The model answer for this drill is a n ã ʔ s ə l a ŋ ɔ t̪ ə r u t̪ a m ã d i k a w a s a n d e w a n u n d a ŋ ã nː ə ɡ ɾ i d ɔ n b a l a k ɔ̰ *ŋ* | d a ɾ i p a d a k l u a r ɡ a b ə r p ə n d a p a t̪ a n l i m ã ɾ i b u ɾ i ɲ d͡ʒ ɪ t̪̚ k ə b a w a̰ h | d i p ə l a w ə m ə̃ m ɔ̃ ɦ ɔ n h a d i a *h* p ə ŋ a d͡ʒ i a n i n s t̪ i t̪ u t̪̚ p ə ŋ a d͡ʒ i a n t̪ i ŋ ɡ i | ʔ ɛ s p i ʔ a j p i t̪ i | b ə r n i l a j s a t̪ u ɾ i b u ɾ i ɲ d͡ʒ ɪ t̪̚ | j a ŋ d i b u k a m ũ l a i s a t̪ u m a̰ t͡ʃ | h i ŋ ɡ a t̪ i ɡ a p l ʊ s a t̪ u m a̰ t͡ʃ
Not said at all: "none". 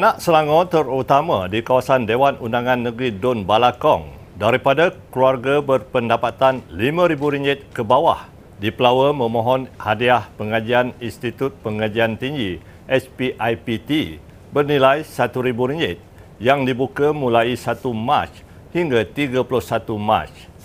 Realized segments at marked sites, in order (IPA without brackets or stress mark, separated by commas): ŋ, h